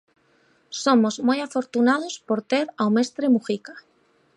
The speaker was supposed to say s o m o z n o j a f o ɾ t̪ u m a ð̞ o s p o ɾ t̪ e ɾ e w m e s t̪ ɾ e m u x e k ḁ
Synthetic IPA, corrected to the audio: s o m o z m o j a f o ɾ t̪ u n a ð̞ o s p o ɾ t̪ e ɾ a w m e s t̪ ɾ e m u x i k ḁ